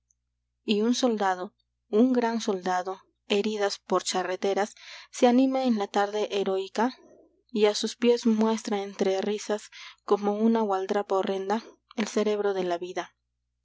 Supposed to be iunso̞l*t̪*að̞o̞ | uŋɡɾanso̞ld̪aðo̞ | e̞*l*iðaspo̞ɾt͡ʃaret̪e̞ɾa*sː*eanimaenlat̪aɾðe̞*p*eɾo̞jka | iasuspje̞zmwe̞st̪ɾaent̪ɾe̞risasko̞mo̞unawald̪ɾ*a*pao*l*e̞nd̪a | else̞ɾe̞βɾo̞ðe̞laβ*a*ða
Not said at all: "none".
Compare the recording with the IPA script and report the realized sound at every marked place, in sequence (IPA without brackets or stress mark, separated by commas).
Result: d̪, ɾ, sː, ʔ, a, r, i